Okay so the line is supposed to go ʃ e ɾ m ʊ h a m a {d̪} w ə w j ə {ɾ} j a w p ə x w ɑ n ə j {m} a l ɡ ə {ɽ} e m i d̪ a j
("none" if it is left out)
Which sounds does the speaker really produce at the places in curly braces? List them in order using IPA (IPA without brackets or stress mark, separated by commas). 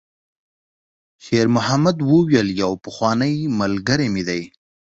d̪, l, m, ɾ